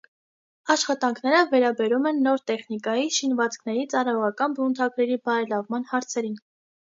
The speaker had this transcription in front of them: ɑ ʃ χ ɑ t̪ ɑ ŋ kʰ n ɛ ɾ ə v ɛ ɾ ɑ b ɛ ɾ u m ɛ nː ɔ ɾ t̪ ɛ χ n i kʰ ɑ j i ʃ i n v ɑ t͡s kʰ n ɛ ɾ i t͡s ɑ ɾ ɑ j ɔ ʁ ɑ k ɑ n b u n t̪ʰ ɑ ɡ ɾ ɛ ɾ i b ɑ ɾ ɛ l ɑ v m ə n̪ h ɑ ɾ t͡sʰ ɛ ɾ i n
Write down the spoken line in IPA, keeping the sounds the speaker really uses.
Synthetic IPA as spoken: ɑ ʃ χ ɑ t̪ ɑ ŋ kʰ n ɛ ɾ ə v ɛ ɾ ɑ b ɛ ɾ u m ɛ nː ɔ ɾ t̪ ɛ χ n i k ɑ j i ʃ i n v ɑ t͡s kʰ n ɛ ɾ i t͡s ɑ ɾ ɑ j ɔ ʁ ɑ k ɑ n b u n t̪ʰ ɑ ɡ ɾ ɛ ɾ i b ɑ ɾ ɛ l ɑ v m ɑ n̪ h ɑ ɾ t͡sʰ ɛ ɾ i n